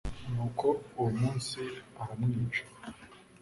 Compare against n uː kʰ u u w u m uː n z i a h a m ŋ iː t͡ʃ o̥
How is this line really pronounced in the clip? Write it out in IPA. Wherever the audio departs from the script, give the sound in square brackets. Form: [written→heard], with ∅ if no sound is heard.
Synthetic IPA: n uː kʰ [u→o] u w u m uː n [z→s] i a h a m ŋ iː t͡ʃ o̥